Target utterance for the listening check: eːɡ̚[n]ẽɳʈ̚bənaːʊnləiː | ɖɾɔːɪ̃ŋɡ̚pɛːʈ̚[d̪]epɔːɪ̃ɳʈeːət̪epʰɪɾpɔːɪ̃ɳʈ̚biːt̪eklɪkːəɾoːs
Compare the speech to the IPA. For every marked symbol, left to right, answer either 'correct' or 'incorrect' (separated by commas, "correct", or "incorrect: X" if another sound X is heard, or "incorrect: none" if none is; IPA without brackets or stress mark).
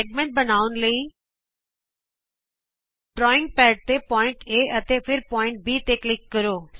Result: incorrect: m, incorrect: t̪